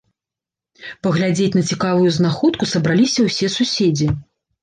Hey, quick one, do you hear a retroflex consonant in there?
no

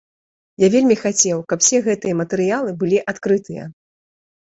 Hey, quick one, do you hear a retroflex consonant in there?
no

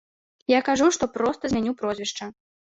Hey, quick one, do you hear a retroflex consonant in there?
yes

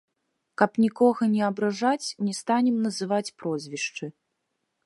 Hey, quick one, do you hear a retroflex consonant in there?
yes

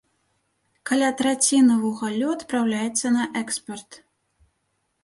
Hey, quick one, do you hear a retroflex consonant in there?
no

